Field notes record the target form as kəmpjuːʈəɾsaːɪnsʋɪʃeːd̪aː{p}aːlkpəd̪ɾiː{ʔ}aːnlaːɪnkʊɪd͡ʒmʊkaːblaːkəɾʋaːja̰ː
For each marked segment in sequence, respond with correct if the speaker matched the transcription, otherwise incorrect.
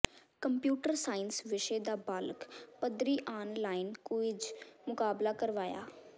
incorrect: b, correct

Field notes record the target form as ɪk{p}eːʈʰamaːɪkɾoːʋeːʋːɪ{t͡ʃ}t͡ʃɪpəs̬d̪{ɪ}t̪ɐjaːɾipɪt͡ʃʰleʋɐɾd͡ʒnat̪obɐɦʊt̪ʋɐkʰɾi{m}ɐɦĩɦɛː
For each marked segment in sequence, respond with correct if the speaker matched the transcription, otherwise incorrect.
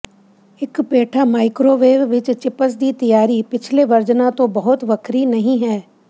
correct, correct, incorrect: i, incorrect: n

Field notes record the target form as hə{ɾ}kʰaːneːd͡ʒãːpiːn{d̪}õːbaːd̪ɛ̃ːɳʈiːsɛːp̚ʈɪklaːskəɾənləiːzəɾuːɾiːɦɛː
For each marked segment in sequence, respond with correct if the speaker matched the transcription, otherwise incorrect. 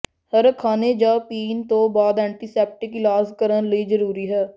correct, incorrect: t̪

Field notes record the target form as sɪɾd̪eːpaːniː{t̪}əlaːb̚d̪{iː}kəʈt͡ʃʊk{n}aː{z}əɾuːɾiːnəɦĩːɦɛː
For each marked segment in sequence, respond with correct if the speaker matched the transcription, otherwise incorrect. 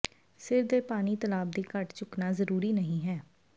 correct, correct, correct, correct

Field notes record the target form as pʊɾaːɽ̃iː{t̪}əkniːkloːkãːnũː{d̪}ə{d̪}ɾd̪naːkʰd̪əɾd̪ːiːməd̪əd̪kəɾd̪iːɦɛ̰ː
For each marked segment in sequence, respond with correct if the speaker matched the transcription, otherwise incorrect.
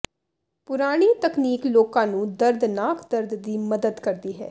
correct, correct, incorrect: none

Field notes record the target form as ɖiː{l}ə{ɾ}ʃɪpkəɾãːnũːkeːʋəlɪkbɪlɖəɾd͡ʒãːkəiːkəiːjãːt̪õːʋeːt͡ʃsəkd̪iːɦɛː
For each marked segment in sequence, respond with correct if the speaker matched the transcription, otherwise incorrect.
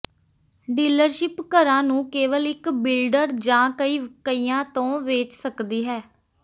correct, correct

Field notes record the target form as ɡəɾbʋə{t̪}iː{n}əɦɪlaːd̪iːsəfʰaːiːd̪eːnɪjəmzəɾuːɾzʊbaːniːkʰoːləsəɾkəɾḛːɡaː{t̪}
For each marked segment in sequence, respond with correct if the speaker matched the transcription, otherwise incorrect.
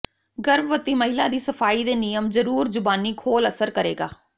correct, incorrect: m, incorrect: none

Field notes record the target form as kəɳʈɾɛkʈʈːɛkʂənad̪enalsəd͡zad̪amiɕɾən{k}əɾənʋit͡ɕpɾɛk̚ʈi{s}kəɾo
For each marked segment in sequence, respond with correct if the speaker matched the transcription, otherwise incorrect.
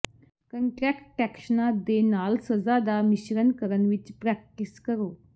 correct, correct

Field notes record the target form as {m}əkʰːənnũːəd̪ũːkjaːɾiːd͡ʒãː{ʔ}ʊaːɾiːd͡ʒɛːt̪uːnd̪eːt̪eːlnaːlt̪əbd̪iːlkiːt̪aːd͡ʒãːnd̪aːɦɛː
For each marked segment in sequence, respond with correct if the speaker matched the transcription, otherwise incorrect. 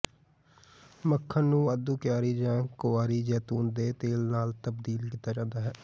correct, incorrect: k

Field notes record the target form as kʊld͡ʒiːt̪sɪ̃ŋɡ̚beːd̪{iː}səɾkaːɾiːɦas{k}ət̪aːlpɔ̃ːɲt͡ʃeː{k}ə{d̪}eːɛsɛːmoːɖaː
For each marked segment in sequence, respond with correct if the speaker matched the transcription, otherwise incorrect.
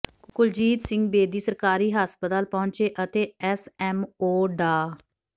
correct, incorrect: p, incorrect: ʔ, incorrect: t̪

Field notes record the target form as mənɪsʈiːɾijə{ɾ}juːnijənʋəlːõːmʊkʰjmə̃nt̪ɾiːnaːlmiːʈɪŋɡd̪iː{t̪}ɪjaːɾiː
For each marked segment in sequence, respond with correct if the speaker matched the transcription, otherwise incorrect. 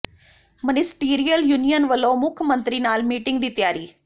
incorrect: l, correct

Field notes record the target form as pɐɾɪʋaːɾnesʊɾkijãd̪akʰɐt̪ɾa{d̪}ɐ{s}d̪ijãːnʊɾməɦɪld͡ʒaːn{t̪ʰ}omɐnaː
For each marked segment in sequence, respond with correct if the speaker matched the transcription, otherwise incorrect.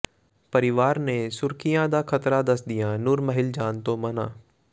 correct, correct, incorrect: t̪

